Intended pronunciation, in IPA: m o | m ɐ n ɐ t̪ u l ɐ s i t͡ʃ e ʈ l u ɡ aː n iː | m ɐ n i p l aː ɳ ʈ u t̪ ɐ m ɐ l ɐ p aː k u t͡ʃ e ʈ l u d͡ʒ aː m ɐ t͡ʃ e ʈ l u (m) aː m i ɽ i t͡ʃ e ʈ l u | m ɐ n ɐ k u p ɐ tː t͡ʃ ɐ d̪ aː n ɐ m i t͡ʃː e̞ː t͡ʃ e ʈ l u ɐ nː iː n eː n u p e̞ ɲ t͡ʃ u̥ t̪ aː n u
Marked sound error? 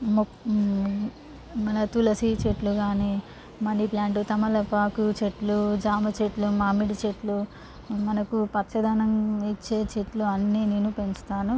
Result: no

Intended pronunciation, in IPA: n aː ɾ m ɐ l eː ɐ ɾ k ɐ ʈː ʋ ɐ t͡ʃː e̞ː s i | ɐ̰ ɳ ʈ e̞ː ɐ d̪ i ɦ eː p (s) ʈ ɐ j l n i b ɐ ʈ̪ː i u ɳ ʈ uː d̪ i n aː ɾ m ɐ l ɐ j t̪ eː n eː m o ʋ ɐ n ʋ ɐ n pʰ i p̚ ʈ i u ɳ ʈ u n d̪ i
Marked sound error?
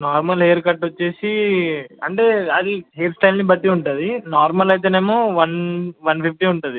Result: no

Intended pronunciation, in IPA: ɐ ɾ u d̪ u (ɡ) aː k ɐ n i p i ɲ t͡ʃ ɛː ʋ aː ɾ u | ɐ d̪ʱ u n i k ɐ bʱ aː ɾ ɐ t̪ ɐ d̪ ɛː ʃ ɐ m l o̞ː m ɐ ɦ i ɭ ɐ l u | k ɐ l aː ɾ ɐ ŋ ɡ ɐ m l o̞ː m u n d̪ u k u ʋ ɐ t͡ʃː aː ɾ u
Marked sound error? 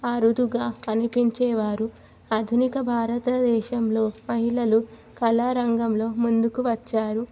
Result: no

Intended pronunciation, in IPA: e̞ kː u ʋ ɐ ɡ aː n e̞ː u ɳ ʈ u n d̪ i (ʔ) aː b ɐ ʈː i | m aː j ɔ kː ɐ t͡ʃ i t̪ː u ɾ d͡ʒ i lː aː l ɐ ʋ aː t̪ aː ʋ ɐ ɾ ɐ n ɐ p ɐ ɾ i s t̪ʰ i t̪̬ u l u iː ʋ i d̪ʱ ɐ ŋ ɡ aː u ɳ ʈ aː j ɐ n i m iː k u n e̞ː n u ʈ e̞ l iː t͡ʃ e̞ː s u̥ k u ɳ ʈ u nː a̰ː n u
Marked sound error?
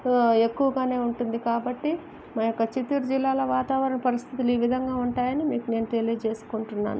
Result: yes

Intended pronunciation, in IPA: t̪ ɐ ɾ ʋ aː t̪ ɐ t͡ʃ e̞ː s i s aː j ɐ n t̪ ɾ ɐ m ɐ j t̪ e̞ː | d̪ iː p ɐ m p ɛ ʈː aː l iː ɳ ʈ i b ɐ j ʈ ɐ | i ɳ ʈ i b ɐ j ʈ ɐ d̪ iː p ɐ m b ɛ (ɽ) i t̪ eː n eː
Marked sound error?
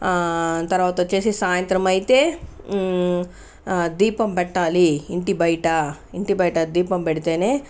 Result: no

